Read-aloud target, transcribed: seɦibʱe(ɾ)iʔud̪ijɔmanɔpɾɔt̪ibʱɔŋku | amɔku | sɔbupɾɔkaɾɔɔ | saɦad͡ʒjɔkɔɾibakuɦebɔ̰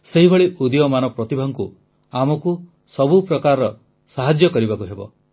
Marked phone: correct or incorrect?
incorrect